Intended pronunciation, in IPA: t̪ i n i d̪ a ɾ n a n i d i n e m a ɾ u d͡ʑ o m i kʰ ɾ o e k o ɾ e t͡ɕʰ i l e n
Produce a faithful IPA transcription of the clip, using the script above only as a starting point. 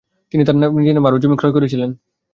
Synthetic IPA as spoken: t̪ i n i t̪ a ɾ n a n i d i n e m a ɾ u d͡ʑ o m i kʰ ɾ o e k o ɾ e t͡ɕʰ i l e n

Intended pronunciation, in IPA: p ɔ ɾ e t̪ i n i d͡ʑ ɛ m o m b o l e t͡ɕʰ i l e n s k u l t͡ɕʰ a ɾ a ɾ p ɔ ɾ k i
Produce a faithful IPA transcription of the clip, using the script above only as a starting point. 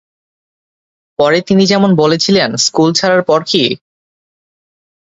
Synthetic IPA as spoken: p ɔ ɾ e t̪ i n i d͡ʑ ɛ m o n b o l e t͡ɕʰ i l e n s k u l t͡ɕʰ a ɾ a ɾ p ɔ ɾ k i

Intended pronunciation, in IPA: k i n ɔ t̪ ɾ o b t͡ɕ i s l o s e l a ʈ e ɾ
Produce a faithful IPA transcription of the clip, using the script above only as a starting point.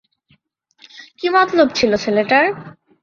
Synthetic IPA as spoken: k i m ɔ t̪ l o b t͡ɕʰ i l o s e l e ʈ a ɾ

